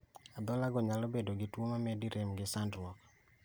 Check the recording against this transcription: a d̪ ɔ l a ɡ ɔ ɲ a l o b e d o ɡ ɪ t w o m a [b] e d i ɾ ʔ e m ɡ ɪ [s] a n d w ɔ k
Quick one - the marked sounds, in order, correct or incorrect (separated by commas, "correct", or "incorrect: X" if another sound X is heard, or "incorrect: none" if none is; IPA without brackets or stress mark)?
incorrect: m, correct